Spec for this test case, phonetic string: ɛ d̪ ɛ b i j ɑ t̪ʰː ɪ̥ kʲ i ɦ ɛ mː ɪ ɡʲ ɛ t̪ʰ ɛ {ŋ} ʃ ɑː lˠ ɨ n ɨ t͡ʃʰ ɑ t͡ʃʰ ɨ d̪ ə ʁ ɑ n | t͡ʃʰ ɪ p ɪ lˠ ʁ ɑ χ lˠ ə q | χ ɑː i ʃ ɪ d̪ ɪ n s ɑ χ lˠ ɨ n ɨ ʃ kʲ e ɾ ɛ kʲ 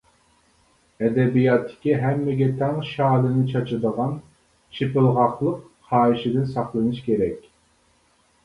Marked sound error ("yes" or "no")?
no